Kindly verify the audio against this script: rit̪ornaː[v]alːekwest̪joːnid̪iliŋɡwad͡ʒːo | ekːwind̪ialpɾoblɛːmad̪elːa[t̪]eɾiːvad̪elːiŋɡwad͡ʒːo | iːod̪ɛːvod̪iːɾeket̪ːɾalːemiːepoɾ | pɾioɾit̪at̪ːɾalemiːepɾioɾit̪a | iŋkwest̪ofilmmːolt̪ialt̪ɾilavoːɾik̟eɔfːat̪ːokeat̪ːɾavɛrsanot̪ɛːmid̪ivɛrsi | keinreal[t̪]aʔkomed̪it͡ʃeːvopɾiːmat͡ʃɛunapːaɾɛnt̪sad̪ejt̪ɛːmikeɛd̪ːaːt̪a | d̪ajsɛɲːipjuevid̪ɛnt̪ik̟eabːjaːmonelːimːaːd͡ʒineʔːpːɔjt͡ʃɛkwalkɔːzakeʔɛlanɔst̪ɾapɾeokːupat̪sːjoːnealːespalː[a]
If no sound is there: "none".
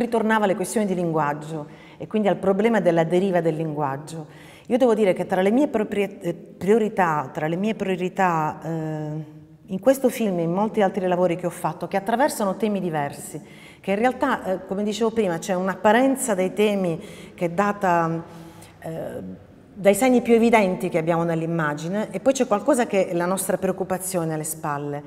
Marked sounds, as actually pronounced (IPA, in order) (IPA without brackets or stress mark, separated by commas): v, d̪, t̪, e